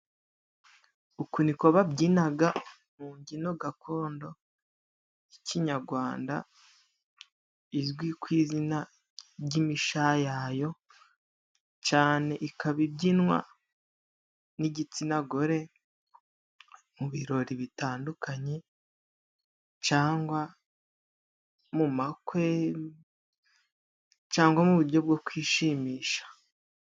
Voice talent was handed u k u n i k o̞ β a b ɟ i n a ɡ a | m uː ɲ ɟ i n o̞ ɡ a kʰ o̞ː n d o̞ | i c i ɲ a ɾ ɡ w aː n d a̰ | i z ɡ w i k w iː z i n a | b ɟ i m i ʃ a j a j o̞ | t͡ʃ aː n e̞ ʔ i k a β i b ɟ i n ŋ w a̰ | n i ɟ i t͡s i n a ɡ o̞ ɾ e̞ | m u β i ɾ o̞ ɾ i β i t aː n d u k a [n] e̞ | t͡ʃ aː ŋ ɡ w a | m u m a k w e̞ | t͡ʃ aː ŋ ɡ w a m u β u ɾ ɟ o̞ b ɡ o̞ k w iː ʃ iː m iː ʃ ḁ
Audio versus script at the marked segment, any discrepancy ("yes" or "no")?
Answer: yes